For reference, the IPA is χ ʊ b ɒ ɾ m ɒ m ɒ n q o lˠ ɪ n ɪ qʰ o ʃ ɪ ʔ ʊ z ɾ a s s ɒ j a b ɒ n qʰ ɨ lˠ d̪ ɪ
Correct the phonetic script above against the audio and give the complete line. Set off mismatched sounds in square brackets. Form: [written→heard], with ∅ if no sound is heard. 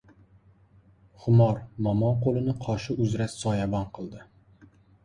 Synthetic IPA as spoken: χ ʊ [b→m] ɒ ɾ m ɒ m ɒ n q o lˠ ɪ n ɪ qʰ [o→ɒ] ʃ ɪ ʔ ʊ z ɾ a s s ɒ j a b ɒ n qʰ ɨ lˠ d̪ ɪ